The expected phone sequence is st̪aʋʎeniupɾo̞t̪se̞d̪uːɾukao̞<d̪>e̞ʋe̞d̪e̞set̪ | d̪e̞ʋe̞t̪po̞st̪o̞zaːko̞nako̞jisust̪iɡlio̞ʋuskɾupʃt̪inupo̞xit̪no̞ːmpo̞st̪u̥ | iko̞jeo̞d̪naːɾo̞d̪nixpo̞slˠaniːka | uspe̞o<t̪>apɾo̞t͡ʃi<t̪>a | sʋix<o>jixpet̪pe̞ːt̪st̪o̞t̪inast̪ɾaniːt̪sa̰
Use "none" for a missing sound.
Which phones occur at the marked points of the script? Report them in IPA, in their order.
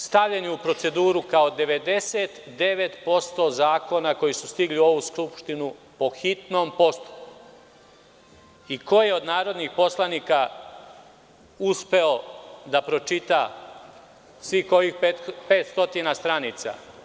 d̪, d̪, t̪, o

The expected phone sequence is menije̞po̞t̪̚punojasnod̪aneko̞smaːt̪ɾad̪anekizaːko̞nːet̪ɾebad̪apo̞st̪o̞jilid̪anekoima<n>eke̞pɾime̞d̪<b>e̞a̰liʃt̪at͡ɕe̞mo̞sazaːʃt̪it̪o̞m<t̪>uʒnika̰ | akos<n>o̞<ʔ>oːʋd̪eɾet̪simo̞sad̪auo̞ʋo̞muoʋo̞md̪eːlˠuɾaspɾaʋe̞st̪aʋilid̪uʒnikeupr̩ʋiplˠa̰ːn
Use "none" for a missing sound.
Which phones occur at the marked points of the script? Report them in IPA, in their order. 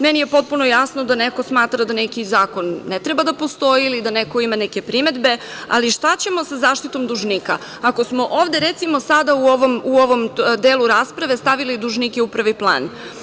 n, b, d̪, m, ʔ

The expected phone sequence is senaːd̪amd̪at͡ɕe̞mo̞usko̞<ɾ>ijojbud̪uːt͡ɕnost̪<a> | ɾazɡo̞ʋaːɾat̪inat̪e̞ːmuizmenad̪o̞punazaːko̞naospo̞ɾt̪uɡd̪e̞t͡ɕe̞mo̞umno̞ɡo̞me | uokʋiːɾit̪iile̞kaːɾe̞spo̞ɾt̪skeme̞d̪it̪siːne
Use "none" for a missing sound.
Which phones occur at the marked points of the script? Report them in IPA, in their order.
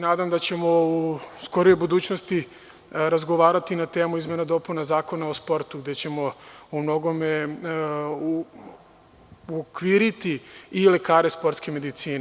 ɾ, i

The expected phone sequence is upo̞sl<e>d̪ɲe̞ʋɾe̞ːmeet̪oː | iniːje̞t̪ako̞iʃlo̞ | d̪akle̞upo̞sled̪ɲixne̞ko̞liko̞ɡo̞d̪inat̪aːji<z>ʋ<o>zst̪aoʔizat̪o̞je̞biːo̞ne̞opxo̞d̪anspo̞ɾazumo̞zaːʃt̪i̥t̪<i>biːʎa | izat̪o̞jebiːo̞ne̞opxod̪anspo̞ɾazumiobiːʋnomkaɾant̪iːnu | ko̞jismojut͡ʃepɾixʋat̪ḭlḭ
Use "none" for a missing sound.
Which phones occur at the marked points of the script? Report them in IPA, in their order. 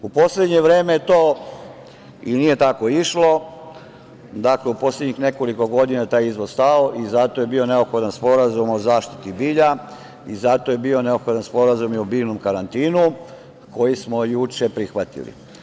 e, z, o, i

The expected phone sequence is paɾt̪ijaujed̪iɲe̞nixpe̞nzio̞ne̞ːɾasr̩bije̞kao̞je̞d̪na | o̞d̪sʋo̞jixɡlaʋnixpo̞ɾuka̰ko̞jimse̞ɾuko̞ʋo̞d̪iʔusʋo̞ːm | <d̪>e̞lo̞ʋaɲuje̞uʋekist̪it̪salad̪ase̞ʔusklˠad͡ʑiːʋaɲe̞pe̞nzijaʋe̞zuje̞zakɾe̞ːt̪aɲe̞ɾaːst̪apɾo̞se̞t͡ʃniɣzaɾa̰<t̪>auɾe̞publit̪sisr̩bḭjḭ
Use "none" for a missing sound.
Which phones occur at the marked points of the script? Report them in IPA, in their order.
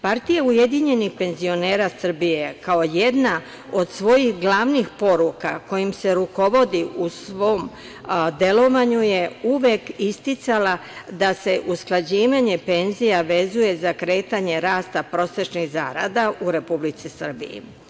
d̪, d̪

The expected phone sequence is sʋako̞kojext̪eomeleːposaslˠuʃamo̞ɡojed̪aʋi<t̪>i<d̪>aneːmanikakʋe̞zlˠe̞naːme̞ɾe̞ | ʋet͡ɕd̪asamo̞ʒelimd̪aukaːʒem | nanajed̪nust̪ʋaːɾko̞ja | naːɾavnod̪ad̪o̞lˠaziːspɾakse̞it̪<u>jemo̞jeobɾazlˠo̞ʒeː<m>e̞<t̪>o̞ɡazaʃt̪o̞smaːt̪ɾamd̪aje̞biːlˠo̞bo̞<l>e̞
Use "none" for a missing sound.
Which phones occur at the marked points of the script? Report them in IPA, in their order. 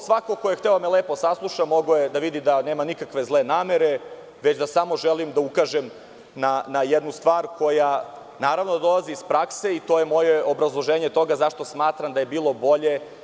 d̪, d̪, o, ɲ, t̪, ʎ

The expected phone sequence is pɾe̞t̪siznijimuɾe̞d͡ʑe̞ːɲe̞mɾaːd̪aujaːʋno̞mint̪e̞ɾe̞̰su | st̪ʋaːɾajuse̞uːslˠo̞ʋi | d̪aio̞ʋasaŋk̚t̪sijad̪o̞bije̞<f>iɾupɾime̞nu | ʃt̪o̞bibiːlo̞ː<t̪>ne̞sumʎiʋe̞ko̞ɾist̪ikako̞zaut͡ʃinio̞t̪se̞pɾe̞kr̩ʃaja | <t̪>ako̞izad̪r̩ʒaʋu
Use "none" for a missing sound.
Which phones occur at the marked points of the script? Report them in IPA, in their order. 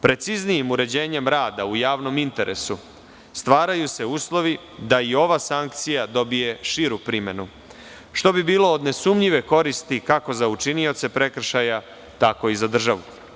ʃ, d̪, t̪

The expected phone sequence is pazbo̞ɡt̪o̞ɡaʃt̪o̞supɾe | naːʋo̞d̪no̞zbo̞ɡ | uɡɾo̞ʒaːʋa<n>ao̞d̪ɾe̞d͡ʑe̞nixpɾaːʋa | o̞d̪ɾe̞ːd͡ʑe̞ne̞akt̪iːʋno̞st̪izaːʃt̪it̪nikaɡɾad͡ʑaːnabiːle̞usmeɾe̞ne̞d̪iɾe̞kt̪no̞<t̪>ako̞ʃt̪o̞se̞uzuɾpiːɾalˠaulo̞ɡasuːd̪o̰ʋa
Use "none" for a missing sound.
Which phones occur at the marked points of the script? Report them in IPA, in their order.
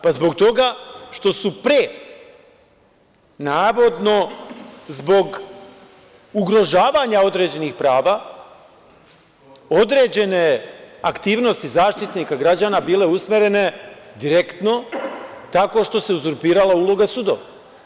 ɲ, t̪

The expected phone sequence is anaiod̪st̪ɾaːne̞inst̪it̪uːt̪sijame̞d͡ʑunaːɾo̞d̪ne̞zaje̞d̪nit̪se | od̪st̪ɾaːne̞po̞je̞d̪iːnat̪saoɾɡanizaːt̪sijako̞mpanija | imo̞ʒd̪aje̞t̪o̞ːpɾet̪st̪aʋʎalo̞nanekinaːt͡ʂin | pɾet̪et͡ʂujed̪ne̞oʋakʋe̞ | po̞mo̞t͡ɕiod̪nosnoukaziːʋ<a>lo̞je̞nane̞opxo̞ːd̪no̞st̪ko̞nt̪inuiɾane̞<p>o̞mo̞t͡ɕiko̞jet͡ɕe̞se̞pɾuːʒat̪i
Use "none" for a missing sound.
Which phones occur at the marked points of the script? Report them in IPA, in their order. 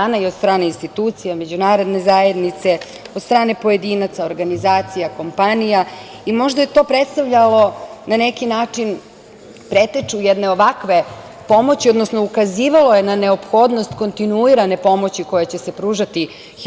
a, p

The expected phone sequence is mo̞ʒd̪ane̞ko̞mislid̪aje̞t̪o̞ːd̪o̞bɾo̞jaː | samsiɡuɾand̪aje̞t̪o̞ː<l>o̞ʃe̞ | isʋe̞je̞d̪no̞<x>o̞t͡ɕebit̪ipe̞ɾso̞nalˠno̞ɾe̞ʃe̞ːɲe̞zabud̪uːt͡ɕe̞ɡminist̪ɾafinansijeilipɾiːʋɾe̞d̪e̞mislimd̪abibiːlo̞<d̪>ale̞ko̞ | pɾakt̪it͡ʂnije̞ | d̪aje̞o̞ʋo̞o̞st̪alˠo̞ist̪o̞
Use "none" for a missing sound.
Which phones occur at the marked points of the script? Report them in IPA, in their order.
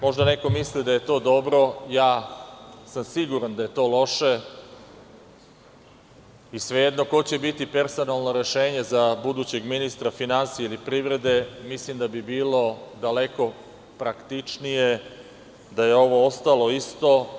l, k, d̪

